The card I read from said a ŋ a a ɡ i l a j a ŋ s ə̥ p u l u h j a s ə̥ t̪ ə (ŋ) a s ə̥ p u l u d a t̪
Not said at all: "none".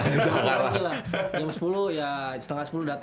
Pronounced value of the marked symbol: ŋ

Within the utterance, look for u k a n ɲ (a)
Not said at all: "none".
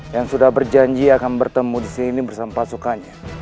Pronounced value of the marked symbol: a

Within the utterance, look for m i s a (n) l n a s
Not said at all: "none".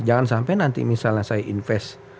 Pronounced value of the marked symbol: none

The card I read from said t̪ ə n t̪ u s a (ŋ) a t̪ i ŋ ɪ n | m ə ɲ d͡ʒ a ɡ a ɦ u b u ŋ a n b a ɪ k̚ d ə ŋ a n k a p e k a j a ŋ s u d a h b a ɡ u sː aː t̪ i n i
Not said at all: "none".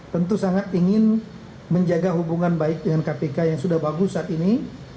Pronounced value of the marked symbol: ŋ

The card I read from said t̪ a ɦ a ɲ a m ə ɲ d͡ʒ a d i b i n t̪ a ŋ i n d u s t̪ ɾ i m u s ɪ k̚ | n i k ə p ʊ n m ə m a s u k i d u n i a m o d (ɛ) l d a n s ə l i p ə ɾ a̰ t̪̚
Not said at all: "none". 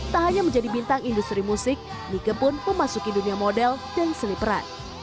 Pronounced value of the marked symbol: ɛ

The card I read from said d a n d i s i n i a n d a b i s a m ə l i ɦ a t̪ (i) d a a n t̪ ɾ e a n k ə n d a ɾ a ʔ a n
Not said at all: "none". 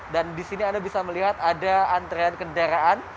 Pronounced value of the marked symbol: a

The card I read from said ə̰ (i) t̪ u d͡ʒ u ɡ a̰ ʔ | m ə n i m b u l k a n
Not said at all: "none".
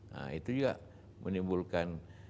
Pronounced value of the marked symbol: i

